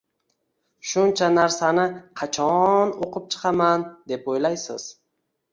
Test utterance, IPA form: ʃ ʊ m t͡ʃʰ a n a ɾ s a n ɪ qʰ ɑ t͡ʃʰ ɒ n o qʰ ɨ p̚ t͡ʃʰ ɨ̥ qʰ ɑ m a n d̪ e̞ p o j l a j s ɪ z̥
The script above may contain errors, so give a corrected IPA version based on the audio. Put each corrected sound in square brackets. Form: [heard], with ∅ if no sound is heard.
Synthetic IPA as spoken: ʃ ʊ [n] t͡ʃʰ a n a ɾ s a n ɪ qʰ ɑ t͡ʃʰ ɒ n o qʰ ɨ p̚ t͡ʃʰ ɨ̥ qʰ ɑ m a n d̪ e̞ p o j l a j s ɪ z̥